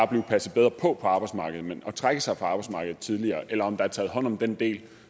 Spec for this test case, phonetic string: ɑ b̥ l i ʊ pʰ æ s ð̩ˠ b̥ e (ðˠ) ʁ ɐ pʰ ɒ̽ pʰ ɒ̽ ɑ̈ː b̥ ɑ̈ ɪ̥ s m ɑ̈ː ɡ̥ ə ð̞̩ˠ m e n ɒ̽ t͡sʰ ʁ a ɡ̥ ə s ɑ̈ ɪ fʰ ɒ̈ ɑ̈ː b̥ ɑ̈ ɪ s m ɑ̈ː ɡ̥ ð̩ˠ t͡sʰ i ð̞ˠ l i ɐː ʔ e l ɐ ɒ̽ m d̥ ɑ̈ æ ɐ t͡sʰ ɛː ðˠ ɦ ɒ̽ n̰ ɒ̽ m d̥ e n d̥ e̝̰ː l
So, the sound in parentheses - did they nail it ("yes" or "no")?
yes